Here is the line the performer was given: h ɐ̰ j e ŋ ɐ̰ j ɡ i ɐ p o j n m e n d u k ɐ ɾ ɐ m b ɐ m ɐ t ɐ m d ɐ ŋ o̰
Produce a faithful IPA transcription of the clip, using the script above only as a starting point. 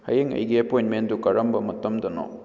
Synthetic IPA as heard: h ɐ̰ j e ŋ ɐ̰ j ɡ i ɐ p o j n m e n d u k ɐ ɾ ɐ m b ɐ m ɐ t ɐ m d ɐ n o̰